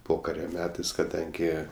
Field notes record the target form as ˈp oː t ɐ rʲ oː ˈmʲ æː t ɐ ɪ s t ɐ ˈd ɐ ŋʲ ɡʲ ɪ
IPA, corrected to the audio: ˈp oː k ɐ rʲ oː ˈmʲ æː t ɐ ɪ s k ɐ ˈd ɐ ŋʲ ɡʲ ɪ